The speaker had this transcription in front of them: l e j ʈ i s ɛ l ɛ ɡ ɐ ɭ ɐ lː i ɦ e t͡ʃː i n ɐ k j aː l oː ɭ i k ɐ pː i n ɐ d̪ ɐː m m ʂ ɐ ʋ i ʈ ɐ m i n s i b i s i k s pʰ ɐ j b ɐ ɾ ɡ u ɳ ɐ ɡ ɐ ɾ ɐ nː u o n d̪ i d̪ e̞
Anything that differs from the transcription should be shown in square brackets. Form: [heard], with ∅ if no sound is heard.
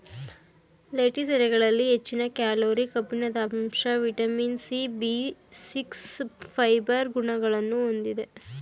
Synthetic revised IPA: l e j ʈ i s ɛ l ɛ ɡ ɐ ɭ ɐ lː i ɦ e t͡ʃː i n ɐ k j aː l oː [ɾ] i k ɐ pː i n ɐ d̪ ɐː m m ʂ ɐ ʋ i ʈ ɐ m i n s i b i s i k s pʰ ɐ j b ɐ ɾ ɡ u ɳ ɐ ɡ ɐ [ɭ] ɐ nː u o n d̪ i d̪ e̞